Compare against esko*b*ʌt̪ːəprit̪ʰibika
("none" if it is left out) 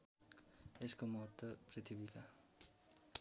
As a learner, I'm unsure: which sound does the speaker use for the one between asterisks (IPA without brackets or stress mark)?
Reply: m